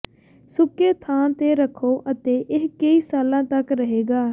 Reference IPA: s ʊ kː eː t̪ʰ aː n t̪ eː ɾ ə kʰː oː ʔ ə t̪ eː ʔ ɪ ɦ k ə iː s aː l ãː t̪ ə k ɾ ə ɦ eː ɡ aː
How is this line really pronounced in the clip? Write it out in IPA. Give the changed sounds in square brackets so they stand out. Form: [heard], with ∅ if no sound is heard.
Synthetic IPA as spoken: s ʊ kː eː t̪ʰ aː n t̪ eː ɾ ə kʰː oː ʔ ə t̪ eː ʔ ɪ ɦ k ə iː s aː l ãː t̪ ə k ɾ ə ɦ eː ɡ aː